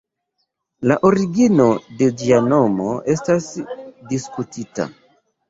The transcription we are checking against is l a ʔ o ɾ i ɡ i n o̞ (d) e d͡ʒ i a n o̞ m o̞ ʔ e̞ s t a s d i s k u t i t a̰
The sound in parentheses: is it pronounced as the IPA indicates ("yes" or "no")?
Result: yes